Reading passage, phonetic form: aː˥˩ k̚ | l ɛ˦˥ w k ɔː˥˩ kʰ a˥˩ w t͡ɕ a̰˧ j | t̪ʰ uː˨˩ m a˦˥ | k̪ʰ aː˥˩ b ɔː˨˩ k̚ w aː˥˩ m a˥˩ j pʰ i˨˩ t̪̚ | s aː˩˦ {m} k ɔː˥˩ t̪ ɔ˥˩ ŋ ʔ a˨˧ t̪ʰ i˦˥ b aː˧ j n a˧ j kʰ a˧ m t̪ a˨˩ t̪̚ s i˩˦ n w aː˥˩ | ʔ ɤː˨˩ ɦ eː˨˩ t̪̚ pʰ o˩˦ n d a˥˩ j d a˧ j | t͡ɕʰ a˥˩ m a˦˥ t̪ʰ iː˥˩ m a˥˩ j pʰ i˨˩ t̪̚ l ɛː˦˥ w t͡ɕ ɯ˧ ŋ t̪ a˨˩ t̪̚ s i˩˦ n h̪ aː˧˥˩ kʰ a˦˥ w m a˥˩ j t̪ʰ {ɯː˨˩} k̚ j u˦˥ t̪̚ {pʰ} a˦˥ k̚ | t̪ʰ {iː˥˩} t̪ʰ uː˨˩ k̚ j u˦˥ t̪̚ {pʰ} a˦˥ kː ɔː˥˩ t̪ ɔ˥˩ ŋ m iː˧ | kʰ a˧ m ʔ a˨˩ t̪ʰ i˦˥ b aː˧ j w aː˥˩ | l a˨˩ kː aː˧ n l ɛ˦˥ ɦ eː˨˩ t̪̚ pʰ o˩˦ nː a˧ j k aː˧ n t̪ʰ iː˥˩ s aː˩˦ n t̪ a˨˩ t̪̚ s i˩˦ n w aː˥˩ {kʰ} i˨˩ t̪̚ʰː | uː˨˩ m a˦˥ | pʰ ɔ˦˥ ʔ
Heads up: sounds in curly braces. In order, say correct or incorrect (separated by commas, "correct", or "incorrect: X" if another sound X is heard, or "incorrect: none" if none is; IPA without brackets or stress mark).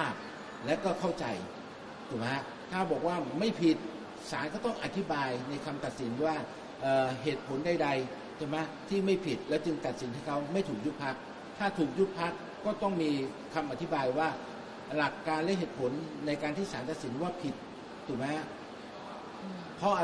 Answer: incorrect: n, incorrect: uː˨˩, correct, incorrect: aː˥˩, correct, incorrect: pʰ